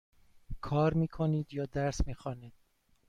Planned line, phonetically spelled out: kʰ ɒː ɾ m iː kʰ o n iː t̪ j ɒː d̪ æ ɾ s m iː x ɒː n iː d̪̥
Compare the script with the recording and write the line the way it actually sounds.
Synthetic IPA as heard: kʰ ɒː ɾ m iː kʰ o n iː d̪ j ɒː d̪ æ ɾ s m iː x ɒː n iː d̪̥